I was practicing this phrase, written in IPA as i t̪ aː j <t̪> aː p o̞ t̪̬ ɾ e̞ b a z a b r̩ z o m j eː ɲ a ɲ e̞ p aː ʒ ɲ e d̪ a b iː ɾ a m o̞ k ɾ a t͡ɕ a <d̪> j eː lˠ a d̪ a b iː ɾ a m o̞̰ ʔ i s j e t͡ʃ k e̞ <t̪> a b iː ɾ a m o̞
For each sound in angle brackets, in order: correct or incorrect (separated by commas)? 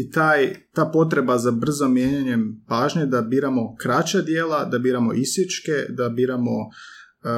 correct, correct, incorrect